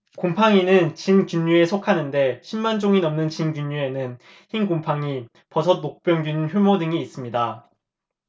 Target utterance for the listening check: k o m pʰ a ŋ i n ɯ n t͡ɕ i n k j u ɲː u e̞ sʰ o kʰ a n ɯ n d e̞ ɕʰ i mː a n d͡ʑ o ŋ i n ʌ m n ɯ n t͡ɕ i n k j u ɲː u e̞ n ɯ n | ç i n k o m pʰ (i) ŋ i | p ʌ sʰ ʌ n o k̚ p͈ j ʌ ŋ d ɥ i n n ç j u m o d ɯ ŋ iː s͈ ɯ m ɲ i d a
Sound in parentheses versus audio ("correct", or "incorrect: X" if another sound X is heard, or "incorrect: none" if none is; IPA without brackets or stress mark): incorrect: a